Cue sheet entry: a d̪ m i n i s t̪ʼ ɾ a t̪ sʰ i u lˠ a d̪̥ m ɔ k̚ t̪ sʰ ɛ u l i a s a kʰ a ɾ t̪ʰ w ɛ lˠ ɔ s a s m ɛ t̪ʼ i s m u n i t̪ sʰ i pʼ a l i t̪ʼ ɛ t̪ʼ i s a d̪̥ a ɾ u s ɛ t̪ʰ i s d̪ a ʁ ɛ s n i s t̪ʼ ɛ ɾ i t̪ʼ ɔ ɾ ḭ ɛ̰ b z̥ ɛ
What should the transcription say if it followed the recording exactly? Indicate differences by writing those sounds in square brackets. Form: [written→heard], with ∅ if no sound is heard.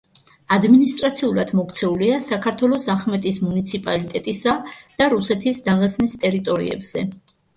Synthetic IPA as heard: a d̪ m i n i s t̪ʼ ɾ a t̪ sʰ i u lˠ a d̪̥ m ɔ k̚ t̪ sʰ ɛ u l i a s a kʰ a ɾ t̪ʰ w ɛ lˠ ɔ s a [s→χ] m ɛ t̪ʼ i s m u n i t̪ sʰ i pʼ a l i t̪ʼ ɛ t̪ʼ i s a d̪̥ a ɾ u s ɛ t̪ʰ i s d̪ a ʁ ɛ s n i s t̪ʼ ɛ ɾ i t̪ʼ ɔ ɾ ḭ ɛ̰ b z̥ ɛ

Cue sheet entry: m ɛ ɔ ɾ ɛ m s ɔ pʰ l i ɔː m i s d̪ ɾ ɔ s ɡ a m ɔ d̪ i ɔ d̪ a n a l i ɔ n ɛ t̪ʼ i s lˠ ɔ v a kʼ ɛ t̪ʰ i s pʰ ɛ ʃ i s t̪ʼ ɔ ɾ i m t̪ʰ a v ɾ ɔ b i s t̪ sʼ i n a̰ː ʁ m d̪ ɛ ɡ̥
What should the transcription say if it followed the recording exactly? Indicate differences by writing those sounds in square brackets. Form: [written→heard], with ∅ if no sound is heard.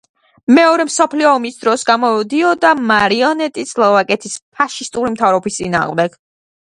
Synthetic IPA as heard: m ɛ ɔ ɾ ɛ m s ɔ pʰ l i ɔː m i s d̪ ɾ ɔ s ɡ a m ɔ d̪ i ɔ d̪ a [n→m] a [l→ɾ] i ɔ n ɛ t̪ʼ i s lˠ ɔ v a kʼ ɛ t̪ʰ i s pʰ [ɛ→a] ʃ i s t̪ʼ [ɔ→u] ɾ i m t̪ʰ a v ɾ ɔ b i s t̪ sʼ i n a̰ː ʁ m d̪ ɛ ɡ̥

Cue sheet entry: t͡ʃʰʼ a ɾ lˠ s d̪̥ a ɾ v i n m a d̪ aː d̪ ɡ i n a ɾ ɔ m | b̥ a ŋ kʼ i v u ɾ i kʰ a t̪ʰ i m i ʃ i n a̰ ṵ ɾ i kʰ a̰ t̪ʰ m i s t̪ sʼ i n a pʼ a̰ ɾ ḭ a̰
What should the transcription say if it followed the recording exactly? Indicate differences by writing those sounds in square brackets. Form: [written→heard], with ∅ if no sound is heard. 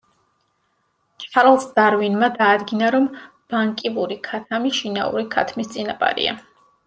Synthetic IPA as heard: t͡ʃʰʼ a ɾ lˠ s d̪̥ a ɾ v i n m a d̪ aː d̪ ɡ i n a ɾ ɔ m | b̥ a ŋ kʼ i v u ɾ i kʰ a t̪ʰ [i→a] m i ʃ i n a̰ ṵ ɾ i kʰ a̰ t̪ʰ m i s t̪ sʼ i n a pʼ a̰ ɾ ḭ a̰

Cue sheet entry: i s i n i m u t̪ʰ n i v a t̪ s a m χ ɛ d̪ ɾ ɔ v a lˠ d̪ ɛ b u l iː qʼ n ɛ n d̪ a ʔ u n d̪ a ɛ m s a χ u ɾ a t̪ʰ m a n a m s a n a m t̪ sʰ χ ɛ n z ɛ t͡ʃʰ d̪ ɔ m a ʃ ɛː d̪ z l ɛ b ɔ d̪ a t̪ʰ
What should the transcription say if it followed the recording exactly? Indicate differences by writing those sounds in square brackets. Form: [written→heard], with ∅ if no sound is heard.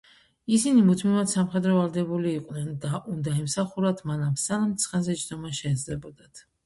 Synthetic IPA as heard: i s i n i m u t̪ʰ [n→m] i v a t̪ s a m χ ɛ d̪ ɾ ɔ v a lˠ d̪ ɛ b u l iː qʼ n ɛ n d̪ a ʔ u n d̪ a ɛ m s a χ u ɾ a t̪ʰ m a n a m s a n a m t̪ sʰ χ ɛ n z ɛ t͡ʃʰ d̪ ɔ m a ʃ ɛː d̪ z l ɛ b ɔ d̪ a t̪ʰ

